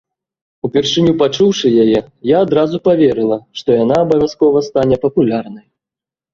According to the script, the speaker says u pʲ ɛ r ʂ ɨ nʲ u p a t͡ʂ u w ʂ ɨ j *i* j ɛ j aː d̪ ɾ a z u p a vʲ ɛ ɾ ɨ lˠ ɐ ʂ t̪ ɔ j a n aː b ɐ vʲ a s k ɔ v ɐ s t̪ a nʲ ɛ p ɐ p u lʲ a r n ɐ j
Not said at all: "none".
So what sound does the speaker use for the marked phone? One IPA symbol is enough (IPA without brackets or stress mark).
a